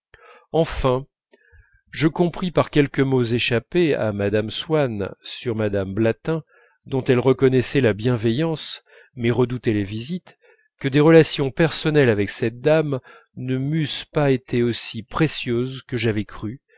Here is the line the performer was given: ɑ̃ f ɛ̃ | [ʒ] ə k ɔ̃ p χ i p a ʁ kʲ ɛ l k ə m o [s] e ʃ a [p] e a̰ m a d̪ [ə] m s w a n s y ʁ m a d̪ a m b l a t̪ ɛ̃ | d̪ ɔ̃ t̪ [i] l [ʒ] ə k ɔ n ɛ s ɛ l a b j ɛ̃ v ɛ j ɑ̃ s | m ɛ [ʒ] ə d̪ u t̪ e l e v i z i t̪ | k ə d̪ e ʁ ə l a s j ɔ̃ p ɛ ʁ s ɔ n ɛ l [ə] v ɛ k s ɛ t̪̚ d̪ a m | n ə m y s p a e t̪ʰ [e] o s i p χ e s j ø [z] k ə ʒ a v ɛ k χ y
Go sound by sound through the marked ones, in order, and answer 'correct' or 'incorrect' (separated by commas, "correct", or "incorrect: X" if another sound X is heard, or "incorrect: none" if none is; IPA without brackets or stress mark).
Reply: correct, incorrect: z, correct, incorrect: a, incorrect: ɛ, incorrect: ʁ, incorrect: ʁ, incorrect: a, correct, correct